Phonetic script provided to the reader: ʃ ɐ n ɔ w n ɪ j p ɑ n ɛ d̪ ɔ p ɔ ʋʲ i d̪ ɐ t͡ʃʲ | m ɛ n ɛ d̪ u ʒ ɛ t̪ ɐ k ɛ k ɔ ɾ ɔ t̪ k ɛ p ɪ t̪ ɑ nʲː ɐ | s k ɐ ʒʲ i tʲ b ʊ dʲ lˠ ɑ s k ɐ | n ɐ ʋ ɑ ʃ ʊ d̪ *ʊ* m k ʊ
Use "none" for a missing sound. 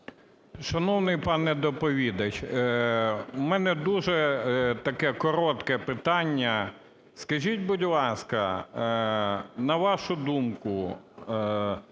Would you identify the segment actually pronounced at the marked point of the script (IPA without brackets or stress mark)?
u